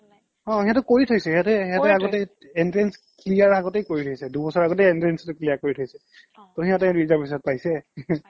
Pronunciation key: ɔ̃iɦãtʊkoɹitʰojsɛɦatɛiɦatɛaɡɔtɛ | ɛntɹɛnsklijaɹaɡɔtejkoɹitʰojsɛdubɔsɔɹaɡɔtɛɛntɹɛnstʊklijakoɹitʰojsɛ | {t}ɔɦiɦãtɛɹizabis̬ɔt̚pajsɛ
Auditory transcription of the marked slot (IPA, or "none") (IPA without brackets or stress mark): t